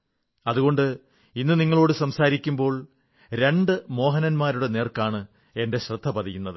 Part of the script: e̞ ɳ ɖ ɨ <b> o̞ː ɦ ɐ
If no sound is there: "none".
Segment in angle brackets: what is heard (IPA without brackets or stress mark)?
m